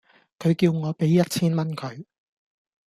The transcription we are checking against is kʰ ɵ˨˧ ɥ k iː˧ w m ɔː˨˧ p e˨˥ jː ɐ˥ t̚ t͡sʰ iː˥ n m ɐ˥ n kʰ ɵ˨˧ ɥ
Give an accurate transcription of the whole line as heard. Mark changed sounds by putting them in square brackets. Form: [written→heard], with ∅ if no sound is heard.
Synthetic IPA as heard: kʰ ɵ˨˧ ɥ k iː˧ w [m→ŋ] ɔː˨˧ p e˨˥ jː ɐ˥ t̚ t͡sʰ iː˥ n m ɐ˥ n kʰ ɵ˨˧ ɥ